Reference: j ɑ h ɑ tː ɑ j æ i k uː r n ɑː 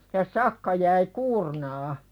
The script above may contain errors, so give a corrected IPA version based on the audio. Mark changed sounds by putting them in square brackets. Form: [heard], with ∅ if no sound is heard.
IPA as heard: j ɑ [s] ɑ [kː] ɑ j æ i k uː r n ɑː